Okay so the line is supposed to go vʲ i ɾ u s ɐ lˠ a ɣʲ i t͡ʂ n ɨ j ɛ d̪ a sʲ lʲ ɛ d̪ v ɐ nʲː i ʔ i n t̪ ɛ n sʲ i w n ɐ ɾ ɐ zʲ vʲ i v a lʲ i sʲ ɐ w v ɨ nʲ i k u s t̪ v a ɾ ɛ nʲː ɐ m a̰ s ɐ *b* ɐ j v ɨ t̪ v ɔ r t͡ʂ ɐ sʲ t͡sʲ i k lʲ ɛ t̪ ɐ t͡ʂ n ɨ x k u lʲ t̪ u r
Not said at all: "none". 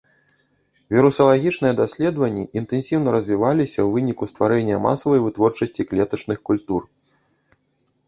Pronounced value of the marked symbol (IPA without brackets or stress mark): v